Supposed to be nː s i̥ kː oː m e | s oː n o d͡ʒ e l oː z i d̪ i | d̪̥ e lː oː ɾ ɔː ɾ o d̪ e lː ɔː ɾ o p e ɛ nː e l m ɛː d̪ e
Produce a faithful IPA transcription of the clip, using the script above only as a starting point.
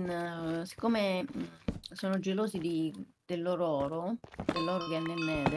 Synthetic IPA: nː s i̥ kː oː m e | s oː n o d͡ʒ e l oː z i d̪ i | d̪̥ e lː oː ɾ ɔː ɾ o d̪ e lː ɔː ɾ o k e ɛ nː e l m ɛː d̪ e